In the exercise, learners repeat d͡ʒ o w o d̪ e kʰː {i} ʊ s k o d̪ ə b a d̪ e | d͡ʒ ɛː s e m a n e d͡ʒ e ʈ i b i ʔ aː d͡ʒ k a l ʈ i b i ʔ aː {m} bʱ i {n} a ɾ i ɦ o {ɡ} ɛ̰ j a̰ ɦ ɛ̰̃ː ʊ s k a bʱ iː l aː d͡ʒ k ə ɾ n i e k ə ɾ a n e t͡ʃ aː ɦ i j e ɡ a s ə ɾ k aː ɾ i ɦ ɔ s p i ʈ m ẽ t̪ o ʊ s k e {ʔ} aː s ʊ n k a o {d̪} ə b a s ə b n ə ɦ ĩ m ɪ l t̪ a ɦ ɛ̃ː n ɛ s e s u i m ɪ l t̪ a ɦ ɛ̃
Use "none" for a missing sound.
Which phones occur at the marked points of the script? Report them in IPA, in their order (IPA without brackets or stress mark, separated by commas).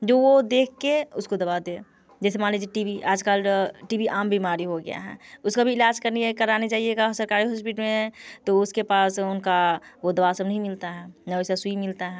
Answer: e, m, m, ɡ, p, d̪